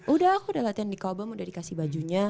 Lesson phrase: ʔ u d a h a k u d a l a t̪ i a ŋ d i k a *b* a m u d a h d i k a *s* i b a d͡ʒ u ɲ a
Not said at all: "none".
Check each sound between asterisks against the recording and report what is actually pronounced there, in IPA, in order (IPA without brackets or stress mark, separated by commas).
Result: b, s